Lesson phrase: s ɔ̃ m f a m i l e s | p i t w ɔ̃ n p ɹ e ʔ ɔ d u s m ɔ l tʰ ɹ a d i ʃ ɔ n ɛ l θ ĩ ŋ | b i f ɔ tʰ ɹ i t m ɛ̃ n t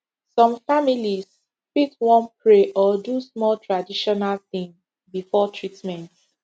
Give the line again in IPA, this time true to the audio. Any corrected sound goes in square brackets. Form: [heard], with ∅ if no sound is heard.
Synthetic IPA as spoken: s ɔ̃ m f a m i l [i] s | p i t w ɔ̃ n p ɹ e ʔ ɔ d u s m ɔ l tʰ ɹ a d i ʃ ɔ n [a] l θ ĩ ŋ | b i f ɔ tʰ ɹ i t m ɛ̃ n t